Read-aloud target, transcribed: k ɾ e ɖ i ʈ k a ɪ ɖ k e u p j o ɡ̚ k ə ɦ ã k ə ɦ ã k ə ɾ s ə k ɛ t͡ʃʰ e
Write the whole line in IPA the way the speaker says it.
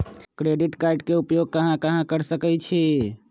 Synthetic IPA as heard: k ɾ e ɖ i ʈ k a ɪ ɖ k e u p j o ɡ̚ k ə ɦ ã k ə ɦ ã k ə ɾ s ə k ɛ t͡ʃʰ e